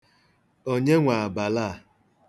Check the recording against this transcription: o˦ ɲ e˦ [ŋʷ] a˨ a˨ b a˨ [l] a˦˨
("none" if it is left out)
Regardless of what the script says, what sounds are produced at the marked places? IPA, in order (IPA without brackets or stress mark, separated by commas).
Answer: ŋʷ, l